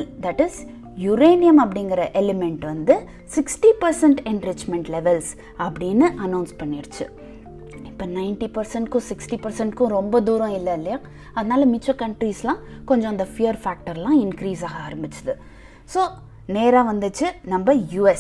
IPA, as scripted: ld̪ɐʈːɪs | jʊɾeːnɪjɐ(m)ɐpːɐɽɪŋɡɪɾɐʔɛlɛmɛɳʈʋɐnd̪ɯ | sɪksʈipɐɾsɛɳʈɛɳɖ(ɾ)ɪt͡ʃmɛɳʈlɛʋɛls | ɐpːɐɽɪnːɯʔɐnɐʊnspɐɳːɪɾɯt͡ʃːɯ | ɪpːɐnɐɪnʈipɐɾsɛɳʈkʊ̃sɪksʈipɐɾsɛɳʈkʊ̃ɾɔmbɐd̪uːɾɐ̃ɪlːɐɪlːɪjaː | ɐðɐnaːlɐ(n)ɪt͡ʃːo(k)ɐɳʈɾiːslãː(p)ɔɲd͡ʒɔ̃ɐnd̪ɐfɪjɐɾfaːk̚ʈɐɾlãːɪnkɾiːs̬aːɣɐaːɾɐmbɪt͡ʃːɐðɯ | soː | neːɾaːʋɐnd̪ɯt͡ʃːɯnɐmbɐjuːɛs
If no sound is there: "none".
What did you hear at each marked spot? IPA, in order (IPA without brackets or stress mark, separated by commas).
m, ɾ, m, k, k